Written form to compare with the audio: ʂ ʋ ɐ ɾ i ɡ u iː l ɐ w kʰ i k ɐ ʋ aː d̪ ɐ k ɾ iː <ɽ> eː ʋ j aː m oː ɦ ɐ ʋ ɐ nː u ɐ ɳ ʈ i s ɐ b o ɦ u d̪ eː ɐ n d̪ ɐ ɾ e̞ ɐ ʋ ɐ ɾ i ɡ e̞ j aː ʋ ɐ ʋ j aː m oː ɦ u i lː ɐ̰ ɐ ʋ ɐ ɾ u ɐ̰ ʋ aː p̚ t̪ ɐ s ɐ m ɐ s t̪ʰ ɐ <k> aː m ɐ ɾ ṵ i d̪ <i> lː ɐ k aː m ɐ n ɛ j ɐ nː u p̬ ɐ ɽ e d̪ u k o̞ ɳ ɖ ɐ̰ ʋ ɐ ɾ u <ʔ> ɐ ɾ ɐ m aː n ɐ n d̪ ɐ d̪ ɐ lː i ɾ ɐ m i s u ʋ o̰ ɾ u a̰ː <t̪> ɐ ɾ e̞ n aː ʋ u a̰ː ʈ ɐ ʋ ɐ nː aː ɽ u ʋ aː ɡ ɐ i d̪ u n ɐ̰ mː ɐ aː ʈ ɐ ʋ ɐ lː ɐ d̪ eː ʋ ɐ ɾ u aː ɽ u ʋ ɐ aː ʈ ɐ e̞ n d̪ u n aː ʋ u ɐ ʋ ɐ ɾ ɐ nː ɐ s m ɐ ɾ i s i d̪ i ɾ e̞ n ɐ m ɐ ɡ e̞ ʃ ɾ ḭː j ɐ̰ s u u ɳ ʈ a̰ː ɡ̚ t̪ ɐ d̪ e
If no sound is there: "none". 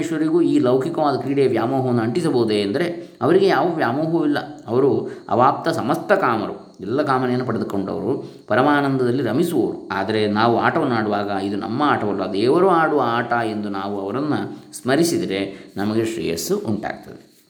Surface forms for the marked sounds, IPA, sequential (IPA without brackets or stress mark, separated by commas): ɽ, k, ɛ, p, d̪